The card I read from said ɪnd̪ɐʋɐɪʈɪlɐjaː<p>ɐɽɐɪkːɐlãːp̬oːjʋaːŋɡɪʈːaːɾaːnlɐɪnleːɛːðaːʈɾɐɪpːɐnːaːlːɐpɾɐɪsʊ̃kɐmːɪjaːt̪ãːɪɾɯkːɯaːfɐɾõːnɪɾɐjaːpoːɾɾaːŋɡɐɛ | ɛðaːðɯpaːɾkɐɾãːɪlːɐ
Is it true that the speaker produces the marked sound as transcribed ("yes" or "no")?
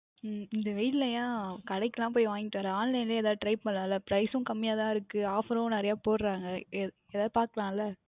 no